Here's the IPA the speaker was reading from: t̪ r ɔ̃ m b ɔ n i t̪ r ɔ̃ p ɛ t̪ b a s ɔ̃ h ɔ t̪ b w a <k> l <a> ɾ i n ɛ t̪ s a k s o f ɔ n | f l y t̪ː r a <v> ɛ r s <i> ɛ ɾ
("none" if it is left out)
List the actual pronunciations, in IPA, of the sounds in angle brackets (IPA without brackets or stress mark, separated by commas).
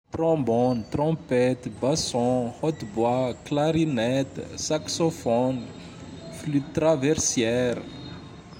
k, a, v, j